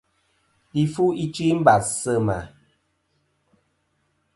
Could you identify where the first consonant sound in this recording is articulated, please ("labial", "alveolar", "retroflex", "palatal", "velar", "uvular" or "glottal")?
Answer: labial